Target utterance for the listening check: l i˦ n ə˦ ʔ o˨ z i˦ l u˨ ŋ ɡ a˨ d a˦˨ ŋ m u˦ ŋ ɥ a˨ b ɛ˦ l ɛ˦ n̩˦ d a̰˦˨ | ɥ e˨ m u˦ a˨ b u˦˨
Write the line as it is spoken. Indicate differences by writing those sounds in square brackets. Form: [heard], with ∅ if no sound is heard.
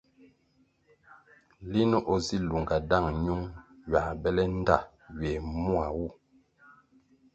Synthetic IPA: l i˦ n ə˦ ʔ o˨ z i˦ l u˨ ŋ ɡ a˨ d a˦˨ ŋ [ɲ] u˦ ŋ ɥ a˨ b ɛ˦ l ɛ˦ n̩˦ d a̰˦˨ | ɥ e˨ m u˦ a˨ [w] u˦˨